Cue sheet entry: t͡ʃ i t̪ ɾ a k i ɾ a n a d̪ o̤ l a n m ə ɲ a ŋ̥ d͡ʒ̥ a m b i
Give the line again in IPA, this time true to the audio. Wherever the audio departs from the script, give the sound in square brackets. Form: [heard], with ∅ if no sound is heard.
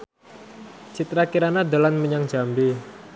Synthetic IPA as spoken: t͡ʃ i t̪ ɾ a k i ɾ a n a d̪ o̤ l a n m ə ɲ a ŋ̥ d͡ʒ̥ a m b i